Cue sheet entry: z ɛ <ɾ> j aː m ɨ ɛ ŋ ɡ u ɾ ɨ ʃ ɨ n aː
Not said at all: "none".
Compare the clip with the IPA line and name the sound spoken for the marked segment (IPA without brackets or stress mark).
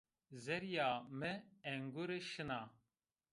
ɾ